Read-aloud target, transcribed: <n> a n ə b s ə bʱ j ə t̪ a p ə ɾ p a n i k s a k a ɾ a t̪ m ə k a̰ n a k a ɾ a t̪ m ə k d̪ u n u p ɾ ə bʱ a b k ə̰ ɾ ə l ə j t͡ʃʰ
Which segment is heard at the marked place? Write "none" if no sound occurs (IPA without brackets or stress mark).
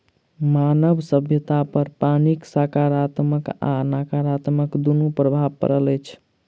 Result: m